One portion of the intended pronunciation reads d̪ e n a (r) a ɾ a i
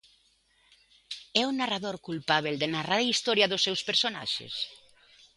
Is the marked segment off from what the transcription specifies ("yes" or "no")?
no